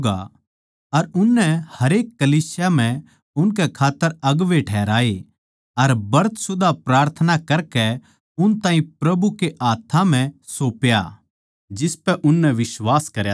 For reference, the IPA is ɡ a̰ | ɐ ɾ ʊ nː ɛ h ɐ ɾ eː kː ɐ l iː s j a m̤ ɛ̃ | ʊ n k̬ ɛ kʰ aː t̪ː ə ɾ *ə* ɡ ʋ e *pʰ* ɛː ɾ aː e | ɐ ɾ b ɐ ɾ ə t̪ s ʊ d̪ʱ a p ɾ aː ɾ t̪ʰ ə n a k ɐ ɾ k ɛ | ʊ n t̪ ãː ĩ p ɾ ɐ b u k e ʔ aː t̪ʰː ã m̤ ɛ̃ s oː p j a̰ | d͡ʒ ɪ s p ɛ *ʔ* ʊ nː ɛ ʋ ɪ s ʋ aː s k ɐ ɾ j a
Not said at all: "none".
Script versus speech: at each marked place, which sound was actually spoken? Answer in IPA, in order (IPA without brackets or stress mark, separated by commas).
ɐ, ʈʰ, ʔ